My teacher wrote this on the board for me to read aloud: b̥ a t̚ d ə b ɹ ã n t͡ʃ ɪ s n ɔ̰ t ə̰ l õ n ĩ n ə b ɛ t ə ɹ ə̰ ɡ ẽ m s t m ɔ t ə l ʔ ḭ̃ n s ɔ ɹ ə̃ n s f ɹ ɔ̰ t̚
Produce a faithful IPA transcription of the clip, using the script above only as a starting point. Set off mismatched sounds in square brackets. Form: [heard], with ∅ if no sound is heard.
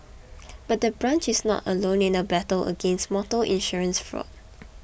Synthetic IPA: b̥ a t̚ d ə b ɹ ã n t͡ʃ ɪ s n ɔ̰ t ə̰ l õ n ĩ n ə b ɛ t ə [l] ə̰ ɡ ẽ [n] s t m ɔ t ə l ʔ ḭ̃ n [ʃ] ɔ ɹ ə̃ n s f ɹ ɔ̰ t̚

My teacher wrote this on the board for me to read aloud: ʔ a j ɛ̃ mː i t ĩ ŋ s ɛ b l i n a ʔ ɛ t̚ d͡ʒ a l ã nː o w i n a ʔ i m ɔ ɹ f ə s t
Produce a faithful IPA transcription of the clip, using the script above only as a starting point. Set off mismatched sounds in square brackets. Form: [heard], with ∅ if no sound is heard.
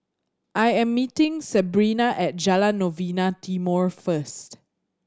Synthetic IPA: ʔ a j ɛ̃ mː i t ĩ ŋ s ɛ b [ɹ] i n a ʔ ɛ t̚ d͡ʒ a l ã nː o [v] i n a [t] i m ɔ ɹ f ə s t

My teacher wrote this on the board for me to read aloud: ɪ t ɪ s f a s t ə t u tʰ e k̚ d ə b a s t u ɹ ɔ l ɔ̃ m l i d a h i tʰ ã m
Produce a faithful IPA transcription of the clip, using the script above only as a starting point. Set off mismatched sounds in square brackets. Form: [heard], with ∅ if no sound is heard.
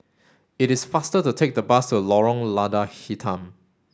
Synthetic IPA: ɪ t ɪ s f a s t ə t u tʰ e k̚ d ə b a s t u [l] ɔ [ɹ] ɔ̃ [ŋ] l [a] d a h i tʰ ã m

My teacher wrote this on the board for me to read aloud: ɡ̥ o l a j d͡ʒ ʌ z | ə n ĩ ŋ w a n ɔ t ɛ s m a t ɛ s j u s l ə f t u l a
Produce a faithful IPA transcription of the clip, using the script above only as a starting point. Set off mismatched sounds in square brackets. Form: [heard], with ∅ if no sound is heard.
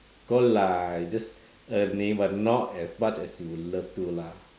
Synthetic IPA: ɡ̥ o l a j d͡ʒ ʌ [s] | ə n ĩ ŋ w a n ɔ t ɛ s m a [t͡ʃ] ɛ s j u [∅] l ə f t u l a

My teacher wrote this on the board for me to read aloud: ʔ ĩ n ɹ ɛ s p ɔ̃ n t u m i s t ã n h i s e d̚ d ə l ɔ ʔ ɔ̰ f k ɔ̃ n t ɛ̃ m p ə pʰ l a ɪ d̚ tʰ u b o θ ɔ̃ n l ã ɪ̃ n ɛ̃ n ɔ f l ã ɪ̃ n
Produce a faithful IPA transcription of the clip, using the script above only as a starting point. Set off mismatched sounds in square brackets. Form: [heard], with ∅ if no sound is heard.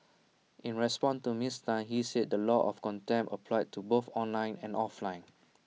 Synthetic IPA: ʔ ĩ n ɹ ɛ s p ɔ̃ n t u m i s t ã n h i s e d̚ d ə l ɔ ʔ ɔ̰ f k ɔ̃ n t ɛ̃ m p ə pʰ l a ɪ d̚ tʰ u b o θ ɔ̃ n l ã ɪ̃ n ɛ̃ n ɔ f l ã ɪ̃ n

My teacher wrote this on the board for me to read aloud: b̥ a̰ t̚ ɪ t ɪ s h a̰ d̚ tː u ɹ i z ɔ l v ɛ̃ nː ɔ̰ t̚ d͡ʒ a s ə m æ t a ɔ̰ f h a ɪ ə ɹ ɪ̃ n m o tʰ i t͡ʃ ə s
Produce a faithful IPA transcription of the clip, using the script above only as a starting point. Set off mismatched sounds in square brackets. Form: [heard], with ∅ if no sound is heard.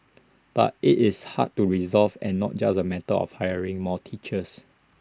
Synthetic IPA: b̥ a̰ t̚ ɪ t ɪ s h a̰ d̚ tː u ɹ i z ɔ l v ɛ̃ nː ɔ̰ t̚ d͡ʒ a s ə m [ɛ] t [ə] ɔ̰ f h a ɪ ə ɹ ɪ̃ [ŋ] m [ɔ] tʰ i t͡ʃ ə s

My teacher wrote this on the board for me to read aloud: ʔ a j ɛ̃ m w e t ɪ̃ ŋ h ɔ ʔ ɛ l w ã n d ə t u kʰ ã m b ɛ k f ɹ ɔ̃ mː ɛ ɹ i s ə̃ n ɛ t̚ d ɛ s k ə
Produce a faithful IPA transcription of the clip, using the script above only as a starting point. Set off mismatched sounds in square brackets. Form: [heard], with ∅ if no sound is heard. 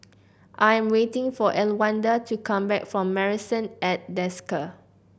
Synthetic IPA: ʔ a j ɛ̃ m w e t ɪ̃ ŋ [f] ɔ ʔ ɛ l w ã n d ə t u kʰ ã m b ɛ k f ɹ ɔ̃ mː ɛ ɹ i s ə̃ n ɛ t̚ d ɛ s k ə

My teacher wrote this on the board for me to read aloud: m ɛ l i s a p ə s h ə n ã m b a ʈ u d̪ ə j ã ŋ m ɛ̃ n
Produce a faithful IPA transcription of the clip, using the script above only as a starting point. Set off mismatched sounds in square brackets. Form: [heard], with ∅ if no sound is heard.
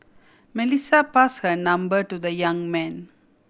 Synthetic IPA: m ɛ l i s a p [a] s h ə n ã m b [ə] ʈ u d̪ ə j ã ŋ m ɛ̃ n

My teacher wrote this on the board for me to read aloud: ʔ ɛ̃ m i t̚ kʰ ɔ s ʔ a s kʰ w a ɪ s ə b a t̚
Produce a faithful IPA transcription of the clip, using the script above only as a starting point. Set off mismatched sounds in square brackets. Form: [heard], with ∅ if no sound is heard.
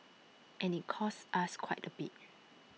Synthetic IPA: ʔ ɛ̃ [n] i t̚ kʰ ɔ s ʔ a s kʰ w a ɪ [t] ə b [i] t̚

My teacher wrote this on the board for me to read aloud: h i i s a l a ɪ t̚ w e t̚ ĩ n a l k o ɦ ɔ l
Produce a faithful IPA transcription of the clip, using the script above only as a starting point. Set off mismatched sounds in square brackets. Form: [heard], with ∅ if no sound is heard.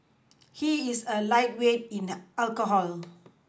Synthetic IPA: h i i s [ə] l a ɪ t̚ w e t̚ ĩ n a l k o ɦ ɔ l

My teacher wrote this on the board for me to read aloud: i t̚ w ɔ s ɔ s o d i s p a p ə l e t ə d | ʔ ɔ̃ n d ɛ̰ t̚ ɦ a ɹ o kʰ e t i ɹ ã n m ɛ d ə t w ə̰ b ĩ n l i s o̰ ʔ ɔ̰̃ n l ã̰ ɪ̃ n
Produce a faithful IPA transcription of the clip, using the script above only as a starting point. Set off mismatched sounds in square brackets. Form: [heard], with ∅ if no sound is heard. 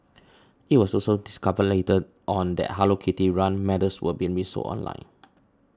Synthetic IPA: i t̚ w ɔ s ɔ s o d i s [k] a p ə l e t ə d | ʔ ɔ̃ n d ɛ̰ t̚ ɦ a [l] o kʰ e t i ɹ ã n m ɛ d ə [s] w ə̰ b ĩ n [ɹ] i s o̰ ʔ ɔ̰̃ n l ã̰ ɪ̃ n

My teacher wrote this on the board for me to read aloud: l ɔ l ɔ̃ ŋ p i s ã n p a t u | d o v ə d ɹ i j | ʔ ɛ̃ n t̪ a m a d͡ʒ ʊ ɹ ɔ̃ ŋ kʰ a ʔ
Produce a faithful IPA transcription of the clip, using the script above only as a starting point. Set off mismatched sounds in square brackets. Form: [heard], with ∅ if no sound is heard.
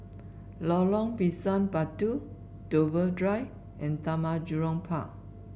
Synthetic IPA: l ɔ l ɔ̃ ŋ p i s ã n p a t u | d o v ə d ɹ [a] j | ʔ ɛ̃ n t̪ a m a d͡ʒ [u] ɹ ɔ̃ ŋ [pʰ] a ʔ

